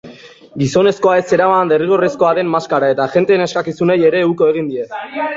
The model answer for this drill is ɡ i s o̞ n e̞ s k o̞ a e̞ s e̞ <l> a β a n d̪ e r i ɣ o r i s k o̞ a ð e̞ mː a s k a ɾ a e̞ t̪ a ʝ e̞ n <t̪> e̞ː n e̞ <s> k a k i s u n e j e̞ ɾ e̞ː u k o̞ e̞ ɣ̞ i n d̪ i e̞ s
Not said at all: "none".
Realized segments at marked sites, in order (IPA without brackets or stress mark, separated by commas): ɾ, t̪, s